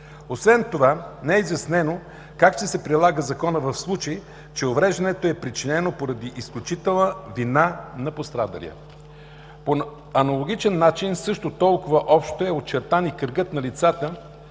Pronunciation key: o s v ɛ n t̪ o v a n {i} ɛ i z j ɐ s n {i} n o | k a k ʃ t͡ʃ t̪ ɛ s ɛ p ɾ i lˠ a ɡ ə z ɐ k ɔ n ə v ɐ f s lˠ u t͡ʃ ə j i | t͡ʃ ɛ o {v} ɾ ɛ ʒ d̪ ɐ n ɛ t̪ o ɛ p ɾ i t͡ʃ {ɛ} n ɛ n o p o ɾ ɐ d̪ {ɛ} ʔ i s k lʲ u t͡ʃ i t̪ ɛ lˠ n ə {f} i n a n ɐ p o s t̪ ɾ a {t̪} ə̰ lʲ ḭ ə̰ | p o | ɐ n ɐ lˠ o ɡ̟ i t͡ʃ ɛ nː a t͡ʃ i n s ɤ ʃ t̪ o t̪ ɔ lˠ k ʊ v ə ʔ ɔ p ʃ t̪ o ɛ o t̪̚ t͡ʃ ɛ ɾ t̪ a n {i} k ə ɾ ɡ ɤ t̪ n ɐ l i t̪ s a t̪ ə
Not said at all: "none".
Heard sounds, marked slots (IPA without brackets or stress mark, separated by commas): ɛ, ɛ, v, i, i, v, d̪, i